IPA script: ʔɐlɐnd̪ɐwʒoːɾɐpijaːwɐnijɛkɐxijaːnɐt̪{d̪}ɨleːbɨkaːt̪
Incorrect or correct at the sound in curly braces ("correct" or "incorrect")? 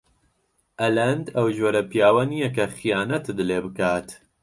correct